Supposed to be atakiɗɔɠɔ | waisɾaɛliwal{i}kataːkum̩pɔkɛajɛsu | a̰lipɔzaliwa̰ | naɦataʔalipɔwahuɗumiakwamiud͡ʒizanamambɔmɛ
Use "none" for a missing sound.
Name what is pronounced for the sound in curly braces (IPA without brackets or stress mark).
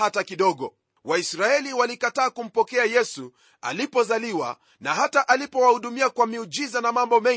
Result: i